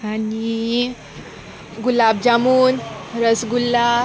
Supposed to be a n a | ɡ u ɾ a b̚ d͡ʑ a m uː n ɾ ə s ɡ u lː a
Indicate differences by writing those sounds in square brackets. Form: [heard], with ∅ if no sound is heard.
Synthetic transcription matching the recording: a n [i] | ɡ u [l] a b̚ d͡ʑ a m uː n ɾ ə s ɡ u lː a